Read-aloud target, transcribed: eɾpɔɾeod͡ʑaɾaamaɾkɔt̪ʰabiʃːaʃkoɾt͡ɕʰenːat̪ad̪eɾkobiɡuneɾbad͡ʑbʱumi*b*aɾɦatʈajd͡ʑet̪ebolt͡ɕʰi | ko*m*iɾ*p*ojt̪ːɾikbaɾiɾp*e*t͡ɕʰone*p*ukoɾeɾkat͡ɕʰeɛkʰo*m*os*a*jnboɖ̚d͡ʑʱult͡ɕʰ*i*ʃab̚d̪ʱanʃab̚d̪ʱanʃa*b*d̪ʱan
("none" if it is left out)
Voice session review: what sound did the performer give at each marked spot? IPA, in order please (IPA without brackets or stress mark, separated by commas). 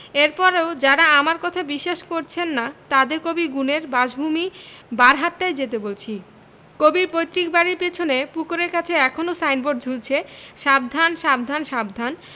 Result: b, b, p, e, p, n, a, e, b